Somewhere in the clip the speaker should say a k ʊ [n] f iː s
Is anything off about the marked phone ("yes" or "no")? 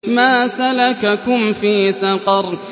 yes